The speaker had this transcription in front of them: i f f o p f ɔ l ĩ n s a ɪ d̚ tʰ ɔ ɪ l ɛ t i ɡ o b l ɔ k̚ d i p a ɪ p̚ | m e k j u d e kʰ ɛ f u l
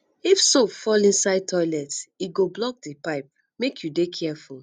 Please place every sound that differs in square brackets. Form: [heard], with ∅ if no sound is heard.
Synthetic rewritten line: i f [s] o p f ɔ l ĩ n s a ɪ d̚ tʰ ɔ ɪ l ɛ t i ɡ o b l ɔ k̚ d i p a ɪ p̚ | m e k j u d e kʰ ɛ f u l